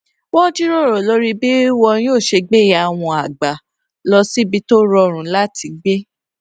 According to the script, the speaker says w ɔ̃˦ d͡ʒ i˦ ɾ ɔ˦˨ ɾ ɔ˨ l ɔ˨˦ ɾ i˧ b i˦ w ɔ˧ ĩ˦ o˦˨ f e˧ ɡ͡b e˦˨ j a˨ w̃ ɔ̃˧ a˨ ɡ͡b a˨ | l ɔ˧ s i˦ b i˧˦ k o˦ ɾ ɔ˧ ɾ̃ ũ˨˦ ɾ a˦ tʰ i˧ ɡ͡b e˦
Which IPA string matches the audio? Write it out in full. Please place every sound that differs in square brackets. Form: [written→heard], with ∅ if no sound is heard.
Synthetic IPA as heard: w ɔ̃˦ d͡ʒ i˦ ɾ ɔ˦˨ ɾ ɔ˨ l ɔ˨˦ ɾ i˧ b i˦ w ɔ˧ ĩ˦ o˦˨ [f→ʃ] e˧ ɡ͡b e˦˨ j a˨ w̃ ɔ̃˧ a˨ ɡ͡b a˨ | l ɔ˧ s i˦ b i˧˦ [k→t] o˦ ɾ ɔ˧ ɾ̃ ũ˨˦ [ɾ→l] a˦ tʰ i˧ ɡ͡b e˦